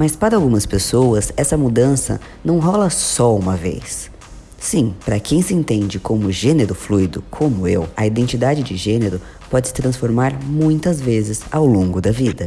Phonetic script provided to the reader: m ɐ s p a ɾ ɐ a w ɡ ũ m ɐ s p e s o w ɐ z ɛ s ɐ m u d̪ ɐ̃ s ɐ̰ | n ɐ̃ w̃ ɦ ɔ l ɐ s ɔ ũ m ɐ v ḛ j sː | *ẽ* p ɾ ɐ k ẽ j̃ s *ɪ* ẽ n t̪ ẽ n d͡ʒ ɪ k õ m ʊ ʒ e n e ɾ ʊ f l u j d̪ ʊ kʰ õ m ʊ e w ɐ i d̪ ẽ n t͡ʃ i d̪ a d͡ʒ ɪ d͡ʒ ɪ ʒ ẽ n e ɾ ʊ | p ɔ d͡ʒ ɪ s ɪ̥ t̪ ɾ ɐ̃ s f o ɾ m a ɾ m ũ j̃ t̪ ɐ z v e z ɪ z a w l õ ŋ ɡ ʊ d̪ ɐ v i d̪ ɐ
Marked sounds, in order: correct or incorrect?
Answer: incorrect, correct

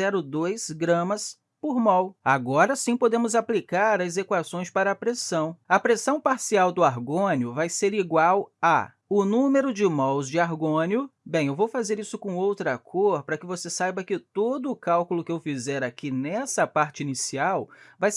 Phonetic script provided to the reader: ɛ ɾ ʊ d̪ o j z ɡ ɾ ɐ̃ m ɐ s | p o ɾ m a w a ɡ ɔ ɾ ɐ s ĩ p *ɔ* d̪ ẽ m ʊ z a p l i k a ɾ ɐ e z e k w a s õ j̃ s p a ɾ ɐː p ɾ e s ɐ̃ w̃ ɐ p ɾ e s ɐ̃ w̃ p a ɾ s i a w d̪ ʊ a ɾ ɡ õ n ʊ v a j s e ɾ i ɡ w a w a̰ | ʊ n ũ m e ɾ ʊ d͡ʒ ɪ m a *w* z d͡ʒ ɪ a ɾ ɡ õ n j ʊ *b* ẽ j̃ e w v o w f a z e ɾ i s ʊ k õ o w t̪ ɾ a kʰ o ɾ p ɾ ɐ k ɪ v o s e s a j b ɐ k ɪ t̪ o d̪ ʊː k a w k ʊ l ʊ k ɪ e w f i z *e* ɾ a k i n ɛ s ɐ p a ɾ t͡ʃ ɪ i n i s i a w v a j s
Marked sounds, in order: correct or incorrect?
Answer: incorrect, correct, correct, incorrect

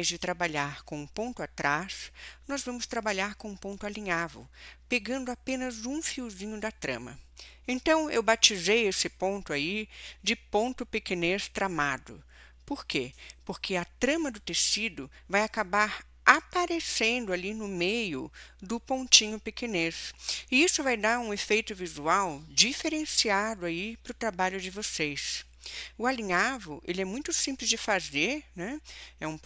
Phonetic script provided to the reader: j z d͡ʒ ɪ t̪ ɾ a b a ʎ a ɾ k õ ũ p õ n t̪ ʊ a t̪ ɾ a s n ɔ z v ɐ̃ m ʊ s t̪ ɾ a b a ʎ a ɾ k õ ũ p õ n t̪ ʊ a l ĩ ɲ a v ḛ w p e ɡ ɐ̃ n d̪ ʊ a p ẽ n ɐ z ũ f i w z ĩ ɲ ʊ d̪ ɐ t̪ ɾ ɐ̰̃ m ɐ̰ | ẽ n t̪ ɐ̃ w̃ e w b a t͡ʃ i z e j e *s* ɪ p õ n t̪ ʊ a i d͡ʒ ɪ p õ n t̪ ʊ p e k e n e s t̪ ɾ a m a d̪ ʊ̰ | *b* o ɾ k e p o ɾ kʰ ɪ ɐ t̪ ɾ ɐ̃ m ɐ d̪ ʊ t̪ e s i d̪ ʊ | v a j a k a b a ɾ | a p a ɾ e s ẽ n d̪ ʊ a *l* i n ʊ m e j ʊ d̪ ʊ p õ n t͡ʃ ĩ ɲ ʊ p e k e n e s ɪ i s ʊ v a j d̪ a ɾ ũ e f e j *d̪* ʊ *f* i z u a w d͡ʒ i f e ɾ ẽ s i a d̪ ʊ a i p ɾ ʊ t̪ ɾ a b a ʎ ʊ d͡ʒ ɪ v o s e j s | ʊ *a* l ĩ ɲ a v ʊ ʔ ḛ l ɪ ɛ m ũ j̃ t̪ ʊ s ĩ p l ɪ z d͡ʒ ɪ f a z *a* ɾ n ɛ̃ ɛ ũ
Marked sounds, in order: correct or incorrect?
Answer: correct, incorrect, correct, incorrect, incorrect, correct, incorrect

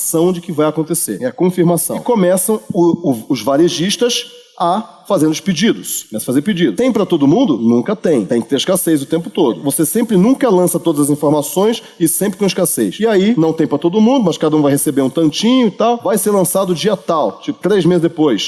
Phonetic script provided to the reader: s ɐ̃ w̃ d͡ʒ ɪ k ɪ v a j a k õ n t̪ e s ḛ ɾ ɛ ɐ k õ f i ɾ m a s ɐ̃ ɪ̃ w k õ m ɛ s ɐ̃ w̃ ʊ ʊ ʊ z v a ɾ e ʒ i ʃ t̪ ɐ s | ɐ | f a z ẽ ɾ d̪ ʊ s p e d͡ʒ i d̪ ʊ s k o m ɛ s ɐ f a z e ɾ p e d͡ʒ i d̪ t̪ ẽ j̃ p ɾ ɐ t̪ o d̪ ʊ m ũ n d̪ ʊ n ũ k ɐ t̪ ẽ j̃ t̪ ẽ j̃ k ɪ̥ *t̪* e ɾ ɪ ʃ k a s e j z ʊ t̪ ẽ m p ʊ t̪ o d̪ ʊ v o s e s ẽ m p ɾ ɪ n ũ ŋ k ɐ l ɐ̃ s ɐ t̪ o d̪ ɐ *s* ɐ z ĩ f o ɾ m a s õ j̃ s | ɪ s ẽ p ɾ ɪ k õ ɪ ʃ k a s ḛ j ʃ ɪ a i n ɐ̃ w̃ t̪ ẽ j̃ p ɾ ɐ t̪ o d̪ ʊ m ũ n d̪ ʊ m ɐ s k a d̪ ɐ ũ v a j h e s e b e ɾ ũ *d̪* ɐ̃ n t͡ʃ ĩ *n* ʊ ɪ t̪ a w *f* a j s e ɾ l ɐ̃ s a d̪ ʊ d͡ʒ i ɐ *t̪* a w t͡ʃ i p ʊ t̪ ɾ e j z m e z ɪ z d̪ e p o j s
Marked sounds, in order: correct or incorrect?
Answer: correct, incorrect, incorrect, incorrect, incorrect, correct

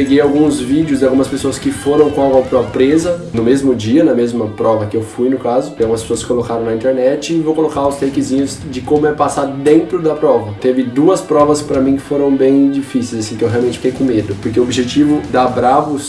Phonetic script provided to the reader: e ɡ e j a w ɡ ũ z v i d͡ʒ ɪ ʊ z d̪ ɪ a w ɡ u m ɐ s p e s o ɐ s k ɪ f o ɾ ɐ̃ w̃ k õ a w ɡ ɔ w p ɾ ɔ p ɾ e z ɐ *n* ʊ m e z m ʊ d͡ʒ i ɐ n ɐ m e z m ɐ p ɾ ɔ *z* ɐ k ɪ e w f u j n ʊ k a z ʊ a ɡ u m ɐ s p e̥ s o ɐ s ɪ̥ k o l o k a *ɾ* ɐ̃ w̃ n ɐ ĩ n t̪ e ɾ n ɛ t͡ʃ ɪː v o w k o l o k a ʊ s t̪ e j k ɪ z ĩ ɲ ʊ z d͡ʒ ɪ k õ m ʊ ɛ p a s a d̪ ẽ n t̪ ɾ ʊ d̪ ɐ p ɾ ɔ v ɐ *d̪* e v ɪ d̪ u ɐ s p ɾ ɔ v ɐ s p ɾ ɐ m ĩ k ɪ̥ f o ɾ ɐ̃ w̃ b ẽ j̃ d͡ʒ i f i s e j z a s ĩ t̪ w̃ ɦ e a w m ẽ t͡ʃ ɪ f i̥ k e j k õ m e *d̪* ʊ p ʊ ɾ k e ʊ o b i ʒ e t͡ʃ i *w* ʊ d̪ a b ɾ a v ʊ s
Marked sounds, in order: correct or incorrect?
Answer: correct, incorrect, correct, incorrect, correct, incorrect

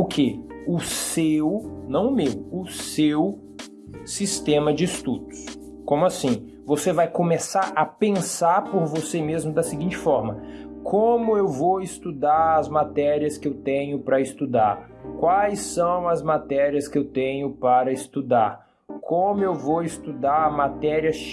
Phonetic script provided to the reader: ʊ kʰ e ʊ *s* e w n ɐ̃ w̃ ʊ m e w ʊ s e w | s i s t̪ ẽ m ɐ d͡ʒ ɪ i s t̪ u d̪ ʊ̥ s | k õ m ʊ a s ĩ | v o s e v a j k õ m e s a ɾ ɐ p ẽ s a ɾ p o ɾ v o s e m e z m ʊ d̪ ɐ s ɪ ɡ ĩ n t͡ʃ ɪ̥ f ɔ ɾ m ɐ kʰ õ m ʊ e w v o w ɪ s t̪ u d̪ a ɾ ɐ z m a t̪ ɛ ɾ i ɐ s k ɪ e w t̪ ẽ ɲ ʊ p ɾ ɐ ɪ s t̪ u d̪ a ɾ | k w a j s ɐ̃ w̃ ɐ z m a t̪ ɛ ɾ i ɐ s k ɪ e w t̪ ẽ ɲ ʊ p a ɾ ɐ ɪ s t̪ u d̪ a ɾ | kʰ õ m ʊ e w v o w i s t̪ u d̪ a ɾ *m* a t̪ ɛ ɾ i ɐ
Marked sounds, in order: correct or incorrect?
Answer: correct, correct

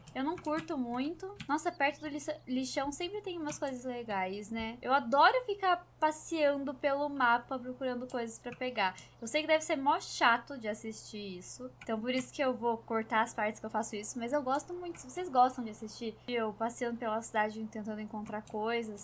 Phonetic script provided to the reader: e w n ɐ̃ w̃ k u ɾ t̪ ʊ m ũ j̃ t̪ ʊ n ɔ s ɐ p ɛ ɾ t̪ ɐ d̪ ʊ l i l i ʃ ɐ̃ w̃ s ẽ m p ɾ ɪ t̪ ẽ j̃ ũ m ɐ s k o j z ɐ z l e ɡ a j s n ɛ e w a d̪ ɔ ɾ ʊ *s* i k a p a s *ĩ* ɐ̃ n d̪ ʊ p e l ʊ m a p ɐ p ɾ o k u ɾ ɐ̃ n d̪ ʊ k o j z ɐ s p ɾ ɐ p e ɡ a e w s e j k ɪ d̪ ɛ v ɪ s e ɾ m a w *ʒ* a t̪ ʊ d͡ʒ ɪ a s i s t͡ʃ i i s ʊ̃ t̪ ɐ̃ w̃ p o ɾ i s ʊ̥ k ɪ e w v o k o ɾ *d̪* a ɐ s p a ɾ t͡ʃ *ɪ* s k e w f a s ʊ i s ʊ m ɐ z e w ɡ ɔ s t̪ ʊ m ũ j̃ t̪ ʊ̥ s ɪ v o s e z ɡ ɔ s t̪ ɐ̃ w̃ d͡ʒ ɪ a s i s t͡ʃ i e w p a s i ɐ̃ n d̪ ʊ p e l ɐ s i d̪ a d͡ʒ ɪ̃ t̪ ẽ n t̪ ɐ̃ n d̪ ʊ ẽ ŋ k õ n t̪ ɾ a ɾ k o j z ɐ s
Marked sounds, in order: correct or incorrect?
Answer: incorrect, incorrect, incorrect, incorrect, correct

